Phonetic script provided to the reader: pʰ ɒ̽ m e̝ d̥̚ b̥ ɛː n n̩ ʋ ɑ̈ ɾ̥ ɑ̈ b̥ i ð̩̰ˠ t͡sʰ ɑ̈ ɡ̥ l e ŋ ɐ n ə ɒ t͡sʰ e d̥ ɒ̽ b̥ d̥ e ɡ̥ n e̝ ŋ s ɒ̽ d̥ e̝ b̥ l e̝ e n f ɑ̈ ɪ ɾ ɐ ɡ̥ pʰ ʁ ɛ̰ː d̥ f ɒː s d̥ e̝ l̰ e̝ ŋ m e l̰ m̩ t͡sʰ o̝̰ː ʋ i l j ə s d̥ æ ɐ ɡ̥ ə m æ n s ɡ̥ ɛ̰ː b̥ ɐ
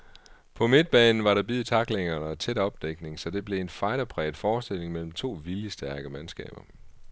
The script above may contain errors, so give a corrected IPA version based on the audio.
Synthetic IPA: pʰ ɒ̽ m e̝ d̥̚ b̥ ɛː n n̩ ʋ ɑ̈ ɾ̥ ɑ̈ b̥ i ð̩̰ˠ t͡sʰ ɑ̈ ɡ̥ l e ŋ ɐ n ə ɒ t͡sʰ e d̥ ɒ̽ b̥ d̥ e ɡ̥ n e̝ ŋ s ɒ̽ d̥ e̝ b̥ l e̝ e n f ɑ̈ ɪ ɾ ɐ pʰ ʁ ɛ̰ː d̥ f ɒː s d̥ e̝ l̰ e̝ ŋ m e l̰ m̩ t͡sʰ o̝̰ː ʋ i l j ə s d̥ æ ɐ ɡ̥ ə m æ n s ɡ̥ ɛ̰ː b̥ ɐ